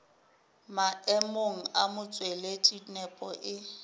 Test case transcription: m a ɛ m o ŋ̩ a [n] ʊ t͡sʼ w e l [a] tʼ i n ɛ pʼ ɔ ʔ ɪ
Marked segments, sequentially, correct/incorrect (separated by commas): incorrect, incorrect